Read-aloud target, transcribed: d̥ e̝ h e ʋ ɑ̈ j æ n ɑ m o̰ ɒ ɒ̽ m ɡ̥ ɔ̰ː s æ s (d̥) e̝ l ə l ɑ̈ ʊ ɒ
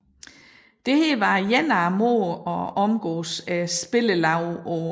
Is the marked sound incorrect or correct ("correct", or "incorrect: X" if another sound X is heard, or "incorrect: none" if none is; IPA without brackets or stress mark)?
incorrect: b̥